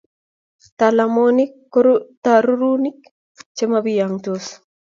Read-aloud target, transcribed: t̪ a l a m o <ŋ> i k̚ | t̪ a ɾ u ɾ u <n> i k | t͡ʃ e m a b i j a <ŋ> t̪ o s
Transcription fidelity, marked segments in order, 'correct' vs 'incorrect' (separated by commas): incorrect, correct, correct